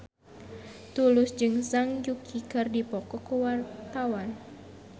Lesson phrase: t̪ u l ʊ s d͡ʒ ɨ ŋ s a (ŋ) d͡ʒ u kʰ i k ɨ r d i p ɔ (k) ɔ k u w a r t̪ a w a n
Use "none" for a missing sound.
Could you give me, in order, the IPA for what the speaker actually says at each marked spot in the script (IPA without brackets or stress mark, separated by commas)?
ŋ, k